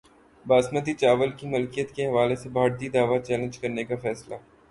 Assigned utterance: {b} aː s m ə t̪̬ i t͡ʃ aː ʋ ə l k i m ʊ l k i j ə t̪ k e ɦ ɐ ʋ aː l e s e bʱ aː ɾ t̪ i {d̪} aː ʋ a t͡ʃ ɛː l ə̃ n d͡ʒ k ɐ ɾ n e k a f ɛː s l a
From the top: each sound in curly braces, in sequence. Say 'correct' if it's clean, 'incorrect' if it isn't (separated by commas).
correct, correct